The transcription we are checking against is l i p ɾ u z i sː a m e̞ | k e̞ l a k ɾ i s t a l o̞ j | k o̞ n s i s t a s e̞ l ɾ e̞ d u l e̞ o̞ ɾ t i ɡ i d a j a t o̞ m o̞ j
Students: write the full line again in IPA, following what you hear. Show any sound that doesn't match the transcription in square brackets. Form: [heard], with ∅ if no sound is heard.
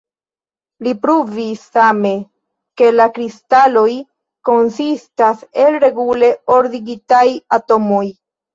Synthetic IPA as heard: l i p ɾ u [v] i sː a m e̞ | k e̞ l a k ɾ i s t a l o̞ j | k o̞ n s i s t a s e̞ l ɾ e̞ [ɡ] u l e̞ o̞ ɾ [d] i ɡ i [t] a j a t o̞ m o̞ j